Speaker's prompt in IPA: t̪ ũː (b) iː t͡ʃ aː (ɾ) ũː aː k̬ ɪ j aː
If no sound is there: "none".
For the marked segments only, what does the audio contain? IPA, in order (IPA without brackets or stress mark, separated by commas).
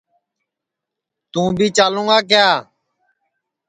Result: b, l